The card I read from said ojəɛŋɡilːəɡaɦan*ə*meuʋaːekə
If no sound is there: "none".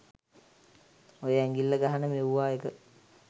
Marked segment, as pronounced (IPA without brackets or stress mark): ə